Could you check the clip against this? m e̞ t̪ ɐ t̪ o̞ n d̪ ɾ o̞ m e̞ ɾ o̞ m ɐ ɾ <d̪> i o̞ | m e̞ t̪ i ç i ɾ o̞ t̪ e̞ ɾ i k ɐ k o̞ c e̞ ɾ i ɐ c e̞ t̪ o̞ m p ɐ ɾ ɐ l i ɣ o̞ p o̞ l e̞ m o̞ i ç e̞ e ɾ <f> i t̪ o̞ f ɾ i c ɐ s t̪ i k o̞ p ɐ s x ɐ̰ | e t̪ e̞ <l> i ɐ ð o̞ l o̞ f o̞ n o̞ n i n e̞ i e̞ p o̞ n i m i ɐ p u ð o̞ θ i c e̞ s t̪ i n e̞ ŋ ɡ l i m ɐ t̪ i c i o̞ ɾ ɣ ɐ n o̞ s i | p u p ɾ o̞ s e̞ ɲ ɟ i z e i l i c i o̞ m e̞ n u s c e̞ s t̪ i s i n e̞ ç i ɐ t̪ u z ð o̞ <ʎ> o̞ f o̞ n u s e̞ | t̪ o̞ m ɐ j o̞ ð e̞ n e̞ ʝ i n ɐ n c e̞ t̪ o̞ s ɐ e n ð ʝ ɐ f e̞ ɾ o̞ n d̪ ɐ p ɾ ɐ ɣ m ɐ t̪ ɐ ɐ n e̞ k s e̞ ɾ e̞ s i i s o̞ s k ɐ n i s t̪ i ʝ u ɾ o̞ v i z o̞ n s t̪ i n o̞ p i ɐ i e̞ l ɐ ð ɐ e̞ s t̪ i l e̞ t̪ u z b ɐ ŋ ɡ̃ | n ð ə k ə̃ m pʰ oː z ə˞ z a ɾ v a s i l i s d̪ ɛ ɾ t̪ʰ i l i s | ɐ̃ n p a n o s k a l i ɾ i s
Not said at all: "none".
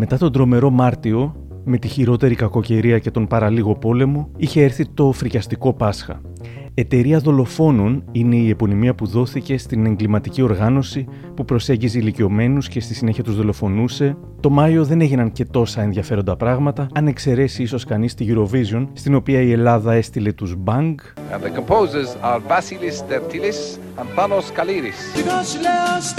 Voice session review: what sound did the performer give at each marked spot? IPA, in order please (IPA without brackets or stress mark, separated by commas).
t̪, θ, ɾ, l